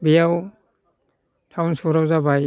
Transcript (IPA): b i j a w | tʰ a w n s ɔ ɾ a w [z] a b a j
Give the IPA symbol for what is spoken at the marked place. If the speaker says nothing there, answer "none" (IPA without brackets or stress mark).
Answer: z